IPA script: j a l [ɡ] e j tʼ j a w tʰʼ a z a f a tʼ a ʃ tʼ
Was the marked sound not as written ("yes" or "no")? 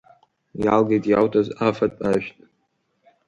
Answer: no